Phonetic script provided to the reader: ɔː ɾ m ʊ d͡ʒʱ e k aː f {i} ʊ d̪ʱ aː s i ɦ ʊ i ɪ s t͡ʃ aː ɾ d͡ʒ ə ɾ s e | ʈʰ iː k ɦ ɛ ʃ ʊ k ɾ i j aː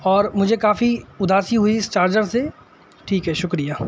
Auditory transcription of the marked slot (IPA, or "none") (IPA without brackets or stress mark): i